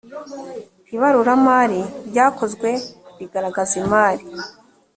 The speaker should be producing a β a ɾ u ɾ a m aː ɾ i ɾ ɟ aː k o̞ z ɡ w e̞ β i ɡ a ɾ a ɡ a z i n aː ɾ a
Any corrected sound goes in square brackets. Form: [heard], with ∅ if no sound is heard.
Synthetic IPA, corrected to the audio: [i] β a ɾ u ɾ a m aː ɾ i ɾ ɟ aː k o̞ z ɡ w e̞ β i ɡ a ɾ a ɡ a z i [m] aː ɾ [i]